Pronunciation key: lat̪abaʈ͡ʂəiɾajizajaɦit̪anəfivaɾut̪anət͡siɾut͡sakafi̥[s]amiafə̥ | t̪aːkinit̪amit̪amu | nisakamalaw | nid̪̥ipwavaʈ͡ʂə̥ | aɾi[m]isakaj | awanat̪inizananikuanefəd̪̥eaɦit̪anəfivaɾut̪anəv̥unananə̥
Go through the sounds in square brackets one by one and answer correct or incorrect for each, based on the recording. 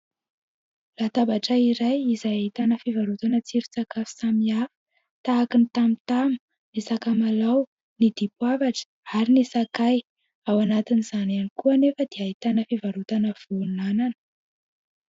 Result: correct, incorrect: n

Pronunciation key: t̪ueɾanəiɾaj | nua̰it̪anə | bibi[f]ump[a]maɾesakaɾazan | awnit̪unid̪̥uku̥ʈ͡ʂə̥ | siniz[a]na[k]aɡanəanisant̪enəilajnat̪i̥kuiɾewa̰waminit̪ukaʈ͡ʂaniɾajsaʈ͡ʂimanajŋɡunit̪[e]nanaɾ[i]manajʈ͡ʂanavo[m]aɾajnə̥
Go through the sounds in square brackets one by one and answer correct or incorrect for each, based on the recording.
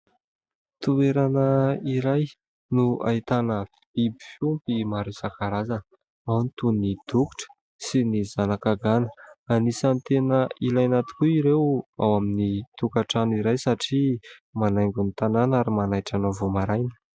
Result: correct, incorrect: i, correct, correct, incorrect: a, correct, correct

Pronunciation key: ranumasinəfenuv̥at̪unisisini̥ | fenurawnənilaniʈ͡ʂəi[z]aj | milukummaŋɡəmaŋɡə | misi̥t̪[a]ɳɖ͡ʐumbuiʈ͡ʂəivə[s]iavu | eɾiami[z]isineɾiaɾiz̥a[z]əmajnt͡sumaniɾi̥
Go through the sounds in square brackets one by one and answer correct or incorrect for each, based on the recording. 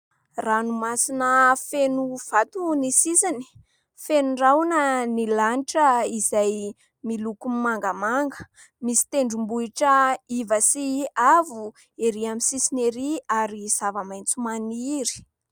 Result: correct, incorrect: e, correct, incorrect: s, incorrect: v

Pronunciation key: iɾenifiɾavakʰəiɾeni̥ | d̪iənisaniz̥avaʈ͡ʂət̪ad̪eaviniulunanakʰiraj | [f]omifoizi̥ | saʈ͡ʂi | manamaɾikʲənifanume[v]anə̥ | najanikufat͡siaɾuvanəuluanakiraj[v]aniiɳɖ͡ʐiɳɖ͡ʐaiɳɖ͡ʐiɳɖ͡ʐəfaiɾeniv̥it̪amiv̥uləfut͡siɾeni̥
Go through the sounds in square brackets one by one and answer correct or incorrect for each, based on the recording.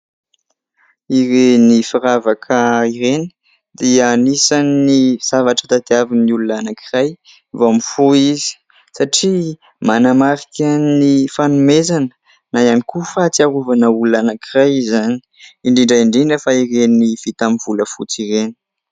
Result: incorrect: v, incorrect: z, incorrect: z

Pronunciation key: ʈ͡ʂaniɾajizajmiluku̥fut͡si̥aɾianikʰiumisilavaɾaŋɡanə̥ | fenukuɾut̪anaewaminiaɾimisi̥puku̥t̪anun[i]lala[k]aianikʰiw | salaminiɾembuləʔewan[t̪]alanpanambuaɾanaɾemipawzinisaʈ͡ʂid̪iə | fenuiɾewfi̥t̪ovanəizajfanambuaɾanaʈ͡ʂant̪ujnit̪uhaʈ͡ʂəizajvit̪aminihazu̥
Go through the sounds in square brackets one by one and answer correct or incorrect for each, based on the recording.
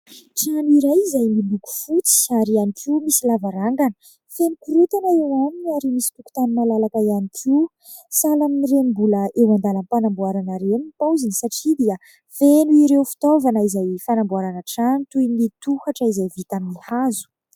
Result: incorrect: a, correct, incorrect: d̪

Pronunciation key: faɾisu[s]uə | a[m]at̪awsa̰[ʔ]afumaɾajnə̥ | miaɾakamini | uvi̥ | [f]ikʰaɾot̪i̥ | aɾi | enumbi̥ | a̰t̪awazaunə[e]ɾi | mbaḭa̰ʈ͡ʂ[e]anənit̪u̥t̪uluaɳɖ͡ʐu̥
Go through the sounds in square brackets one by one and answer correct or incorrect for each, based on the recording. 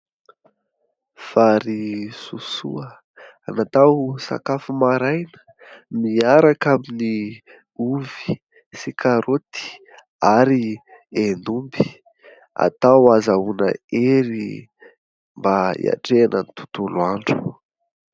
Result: correct, incorrect: n, incorrect: k, incorrect: s, correct, correct

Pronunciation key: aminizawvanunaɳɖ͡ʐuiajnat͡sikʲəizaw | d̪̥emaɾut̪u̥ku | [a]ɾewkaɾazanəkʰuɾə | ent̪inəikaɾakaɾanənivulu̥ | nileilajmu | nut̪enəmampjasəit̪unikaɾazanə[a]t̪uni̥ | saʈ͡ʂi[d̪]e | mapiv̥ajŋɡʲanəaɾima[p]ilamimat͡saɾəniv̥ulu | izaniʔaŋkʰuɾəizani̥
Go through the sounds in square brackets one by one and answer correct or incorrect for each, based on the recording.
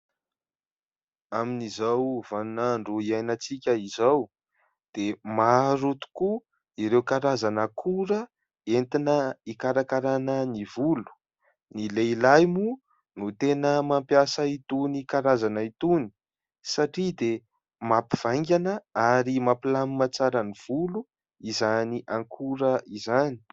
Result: incorrect: i, incorrect: i, correct, correct

